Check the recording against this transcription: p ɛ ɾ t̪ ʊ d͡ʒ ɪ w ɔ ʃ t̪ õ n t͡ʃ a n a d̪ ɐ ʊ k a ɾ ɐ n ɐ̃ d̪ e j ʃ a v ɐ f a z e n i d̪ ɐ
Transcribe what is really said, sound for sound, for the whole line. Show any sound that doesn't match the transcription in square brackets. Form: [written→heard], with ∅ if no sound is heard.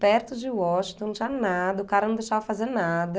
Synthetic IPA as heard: p ɛ ɾ t̪ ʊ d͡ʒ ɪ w ɔ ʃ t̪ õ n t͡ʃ a n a d̪ ɐ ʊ k a ɾ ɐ n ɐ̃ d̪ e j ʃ a v ɐ f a z e n [i→a] d̪ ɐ